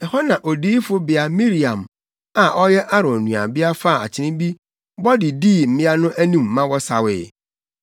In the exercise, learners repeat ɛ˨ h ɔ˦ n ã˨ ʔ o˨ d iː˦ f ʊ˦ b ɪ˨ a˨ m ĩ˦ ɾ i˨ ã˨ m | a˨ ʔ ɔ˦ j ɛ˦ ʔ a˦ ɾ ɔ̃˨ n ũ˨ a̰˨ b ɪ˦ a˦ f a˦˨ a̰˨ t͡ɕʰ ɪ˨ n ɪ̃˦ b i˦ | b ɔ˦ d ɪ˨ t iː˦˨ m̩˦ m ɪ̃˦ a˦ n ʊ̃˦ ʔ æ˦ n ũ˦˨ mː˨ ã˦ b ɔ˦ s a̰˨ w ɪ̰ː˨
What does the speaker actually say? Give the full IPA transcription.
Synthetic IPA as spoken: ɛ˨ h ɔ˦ n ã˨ ʔ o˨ d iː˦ f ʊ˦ b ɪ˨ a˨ m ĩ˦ ɾ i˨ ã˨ m | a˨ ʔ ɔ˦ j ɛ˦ ʔ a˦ ɾ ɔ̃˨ n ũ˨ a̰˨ b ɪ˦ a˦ f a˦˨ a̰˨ t͡ɕʰ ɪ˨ n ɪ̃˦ b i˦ | b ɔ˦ d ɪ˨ d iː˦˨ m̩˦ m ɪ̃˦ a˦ n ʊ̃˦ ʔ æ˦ n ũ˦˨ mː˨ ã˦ w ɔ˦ s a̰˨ w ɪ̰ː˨